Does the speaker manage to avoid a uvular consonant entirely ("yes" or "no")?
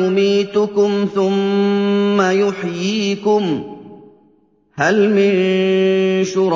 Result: yes